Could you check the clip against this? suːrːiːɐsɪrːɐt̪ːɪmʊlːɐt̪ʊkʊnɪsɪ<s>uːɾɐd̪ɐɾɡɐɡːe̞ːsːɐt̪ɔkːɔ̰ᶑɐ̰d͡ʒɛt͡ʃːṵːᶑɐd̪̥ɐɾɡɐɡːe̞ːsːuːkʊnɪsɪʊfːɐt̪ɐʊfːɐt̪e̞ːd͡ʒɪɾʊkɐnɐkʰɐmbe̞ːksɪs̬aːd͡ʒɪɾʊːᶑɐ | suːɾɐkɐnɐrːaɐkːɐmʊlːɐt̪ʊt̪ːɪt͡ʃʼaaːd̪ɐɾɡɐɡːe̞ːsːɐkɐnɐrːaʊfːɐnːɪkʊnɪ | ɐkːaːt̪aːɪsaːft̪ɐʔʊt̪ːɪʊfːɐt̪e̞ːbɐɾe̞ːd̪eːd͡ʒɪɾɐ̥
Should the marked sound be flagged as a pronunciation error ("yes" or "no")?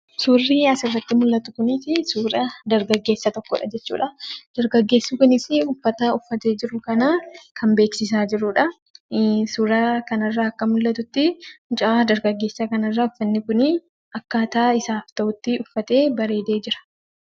no